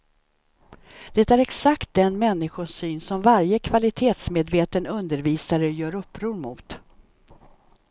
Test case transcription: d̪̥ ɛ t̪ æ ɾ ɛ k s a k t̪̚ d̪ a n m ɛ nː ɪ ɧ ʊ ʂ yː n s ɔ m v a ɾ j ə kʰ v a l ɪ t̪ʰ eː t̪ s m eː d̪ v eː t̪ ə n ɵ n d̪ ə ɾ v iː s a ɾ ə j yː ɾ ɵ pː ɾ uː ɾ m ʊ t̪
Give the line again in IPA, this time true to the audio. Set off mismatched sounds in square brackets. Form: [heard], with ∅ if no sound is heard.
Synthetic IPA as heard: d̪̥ ɛ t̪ æ ɾ ɛ k s a k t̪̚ d̪ [ɛ] n m ɛ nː ɪ ɧ ʊ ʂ yː n s ɔ m v a ɾ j ə kʰ v a l ɪ t̪ʰ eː t̪ s m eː d̪ v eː t̪ ə n ɵ n d̪ ə ɾ v iː s a ɾ ə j [œː] ɾ ɵ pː ɾ uː ɾ m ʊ t̪